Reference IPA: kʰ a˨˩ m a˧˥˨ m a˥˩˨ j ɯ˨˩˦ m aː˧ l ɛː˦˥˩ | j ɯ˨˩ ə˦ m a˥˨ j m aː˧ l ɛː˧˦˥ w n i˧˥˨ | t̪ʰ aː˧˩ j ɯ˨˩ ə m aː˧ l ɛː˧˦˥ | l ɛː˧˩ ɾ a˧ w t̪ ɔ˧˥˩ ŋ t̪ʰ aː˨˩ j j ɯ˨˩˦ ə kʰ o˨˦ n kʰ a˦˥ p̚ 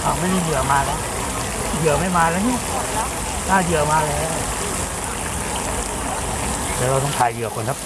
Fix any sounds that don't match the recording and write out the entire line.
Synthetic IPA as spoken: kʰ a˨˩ m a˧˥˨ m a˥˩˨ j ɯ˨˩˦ m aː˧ l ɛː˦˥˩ | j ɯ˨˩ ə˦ m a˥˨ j m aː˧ l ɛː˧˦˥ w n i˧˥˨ | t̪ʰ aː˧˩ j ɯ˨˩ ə m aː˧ l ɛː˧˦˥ | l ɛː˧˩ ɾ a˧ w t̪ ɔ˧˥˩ ŋ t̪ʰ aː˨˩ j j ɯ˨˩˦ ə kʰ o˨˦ n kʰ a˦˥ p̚